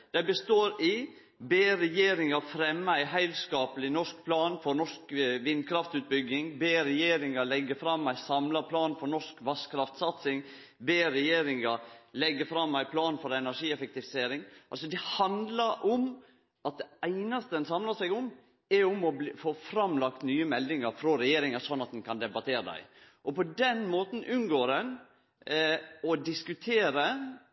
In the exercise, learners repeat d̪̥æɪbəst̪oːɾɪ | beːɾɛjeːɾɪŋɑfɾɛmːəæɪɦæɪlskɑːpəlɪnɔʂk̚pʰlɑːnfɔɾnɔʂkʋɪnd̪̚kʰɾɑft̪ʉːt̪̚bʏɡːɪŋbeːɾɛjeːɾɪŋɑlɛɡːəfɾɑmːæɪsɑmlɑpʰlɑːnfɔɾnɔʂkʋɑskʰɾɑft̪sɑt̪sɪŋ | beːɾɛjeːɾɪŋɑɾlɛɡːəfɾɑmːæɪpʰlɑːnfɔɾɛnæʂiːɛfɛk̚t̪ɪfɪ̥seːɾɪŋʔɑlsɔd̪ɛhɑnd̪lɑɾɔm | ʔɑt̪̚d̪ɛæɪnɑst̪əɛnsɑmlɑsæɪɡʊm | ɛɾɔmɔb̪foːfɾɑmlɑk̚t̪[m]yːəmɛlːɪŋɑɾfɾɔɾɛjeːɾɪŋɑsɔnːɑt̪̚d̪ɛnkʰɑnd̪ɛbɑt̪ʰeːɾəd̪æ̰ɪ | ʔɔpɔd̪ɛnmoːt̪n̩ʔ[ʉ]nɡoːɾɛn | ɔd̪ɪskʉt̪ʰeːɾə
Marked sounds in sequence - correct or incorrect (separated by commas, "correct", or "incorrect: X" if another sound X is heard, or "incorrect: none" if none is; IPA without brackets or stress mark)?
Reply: incorrect: n, correct